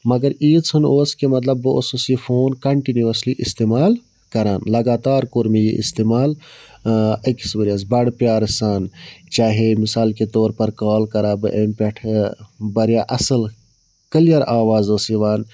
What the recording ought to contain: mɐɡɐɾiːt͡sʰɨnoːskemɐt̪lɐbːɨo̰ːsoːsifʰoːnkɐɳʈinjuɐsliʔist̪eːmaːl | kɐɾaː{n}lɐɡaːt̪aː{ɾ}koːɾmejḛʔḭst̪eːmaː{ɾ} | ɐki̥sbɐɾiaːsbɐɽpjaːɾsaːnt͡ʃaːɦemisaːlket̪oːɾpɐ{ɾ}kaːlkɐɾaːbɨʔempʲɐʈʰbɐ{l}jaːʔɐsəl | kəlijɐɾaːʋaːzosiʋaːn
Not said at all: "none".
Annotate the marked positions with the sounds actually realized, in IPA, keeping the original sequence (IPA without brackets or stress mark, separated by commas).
n, ɾ, l, ɾ, ɾ